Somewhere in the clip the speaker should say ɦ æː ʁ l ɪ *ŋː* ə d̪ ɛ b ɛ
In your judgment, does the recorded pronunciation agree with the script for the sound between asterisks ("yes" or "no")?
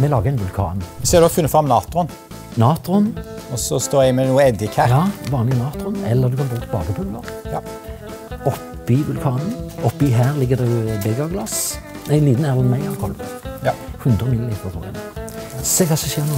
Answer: no